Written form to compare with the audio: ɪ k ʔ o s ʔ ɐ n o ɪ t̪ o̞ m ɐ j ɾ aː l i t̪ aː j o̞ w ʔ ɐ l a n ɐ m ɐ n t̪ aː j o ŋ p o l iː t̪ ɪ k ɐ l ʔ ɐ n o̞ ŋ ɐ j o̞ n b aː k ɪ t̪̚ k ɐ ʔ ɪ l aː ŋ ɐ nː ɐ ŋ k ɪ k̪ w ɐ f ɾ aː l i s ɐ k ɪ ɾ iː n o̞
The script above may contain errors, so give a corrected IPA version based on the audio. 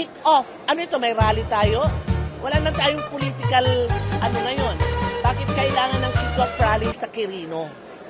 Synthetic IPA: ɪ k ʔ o f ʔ ɐ n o ɪ t̪ o̞ m ɐ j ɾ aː l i t̪ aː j o̞ w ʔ ɐ l a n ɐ m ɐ n t̪ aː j o ŋ p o l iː t̪ ɪ k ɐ l ʔ ɐ n o̞ ŋ ɐ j o̞ n b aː k ɪ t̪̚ k ɐ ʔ ɪ l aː ŋ ɐ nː ɐ ŋ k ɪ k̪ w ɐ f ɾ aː l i s ɐ k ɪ ɾ iː n o̞